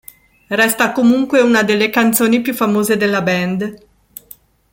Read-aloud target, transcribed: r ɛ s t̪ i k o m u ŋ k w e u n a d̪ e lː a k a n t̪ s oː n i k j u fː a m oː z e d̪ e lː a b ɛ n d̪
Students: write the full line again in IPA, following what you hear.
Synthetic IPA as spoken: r ɛ s t̪ a k o m u ŋ k w e u n a d̪ e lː e k a n t̪ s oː n i p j u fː a m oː z e d̪ e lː a b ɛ n d̪